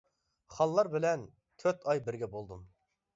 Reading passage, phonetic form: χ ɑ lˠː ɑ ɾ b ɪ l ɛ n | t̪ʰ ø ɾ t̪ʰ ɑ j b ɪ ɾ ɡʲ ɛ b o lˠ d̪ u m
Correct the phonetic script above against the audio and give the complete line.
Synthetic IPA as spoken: χ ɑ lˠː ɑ ɾ b ɪ l ɛ n | t̪ʰ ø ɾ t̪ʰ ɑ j b ɪ ɾ ɡʲ ɛ b o lˠ d̪ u m